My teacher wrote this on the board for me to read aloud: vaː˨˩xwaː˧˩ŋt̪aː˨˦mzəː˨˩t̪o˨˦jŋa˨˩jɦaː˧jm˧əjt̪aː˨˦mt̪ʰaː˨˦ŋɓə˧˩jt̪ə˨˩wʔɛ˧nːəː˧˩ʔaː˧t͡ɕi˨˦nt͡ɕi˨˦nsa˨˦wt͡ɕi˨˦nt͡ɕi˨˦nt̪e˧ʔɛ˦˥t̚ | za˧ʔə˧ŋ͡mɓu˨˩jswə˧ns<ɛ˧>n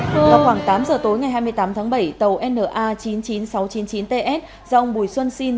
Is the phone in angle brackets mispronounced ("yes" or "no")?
yes